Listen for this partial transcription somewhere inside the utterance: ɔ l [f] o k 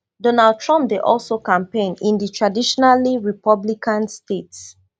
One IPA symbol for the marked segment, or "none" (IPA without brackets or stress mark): s